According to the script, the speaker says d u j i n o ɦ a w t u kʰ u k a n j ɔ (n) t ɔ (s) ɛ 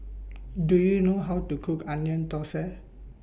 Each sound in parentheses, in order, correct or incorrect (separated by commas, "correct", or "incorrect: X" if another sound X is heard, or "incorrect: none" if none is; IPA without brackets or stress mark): correct, correct